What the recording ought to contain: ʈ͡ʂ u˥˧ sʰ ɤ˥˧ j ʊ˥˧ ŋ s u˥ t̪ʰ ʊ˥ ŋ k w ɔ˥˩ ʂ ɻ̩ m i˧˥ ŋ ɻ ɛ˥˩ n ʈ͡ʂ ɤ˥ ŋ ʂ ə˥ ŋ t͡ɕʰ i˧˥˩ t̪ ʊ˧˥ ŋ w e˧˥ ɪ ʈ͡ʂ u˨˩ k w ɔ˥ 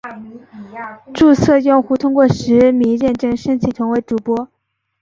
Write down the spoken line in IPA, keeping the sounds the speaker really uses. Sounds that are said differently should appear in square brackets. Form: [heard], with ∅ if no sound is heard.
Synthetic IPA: ʈ͡ʂ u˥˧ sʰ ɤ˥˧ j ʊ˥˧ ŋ [x] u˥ t̪ʰ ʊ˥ ŋ k w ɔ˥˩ ʂ ɻ̩ m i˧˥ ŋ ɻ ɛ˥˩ n ʈ͡ʂ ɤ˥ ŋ ʂ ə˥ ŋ t͡ɕʰ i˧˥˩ [t̪ʰ] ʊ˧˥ ŋ w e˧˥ ɪ ʈ͡ʂ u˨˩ [p] w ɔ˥